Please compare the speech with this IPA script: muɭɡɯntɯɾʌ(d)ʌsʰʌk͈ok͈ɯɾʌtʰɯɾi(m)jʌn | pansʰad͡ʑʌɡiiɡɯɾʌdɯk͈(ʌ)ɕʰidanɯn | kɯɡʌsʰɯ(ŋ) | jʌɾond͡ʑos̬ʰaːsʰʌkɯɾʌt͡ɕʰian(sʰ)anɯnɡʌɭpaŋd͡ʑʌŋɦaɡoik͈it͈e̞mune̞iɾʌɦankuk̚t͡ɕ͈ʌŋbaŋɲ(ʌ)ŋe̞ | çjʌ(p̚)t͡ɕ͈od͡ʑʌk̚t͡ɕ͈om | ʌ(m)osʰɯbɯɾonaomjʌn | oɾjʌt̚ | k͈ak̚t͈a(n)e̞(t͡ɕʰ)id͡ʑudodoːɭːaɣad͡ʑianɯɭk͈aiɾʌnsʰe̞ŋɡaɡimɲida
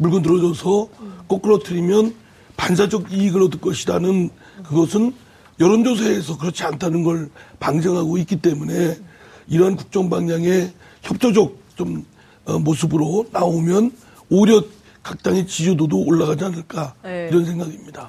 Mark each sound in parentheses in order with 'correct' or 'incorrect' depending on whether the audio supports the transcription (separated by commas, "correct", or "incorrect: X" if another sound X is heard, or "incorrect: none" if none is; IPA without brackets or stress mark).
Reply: incorrect: d͡ʑ, correct, correct, incorrect: n, incorrect: tʰ, incorrect: a, correct, correct, incorrect: ŋ, incorrect: t͡ɕ